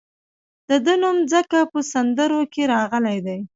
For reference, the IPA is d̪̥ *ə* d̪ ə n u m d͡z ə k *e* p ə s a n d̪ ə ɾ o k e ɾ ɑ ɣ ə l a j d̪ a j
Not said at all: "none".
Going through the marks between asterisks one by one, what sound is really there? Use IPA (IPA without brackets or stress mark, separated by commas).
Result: ə, a